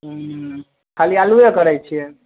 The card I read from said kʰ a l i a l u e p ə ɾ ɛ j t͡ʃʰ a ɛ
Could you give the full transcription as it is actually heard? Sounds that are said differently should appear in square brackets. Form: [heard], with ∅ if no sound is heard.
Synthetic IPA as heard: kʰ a l i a l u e [k] ə ɾ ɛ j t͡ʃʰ [i] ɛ